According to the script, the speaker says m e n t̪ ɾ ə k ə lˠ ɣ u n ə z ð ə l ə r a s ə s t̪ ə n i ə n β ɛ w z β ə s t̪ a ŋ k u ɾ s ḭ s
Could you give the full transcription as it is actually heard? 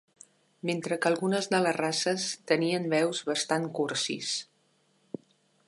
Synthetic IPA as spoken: m e n t̪ ɾ ə k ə lˠ ɣ u n ə z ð ə l ə r a s ə s t̪ ə n i ə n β ɛ w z β ə s t̪ a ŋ k u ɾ s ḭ s